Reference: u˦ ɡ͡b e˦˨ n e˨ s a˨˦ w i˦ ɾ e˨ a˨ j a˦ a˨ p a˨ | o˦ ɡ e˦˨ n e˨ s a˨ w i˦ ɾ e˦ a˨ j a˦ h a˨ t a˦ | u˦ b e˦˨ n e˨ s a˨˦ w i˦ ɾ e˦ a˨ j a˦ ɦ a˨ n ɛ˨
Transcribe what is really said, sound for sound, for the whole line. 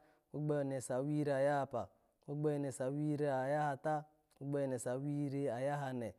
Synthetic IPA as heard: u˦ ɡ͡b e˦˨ n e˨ s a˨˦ w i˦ ɾ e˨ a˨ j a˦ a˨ p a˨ | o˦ ɡ͡b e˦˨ n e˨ s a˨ w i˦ ɾ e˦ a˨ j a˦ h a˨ t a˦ | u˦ ɡ͡b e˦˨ n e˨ s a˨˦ w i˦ ɾ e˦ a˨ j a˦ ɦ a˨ n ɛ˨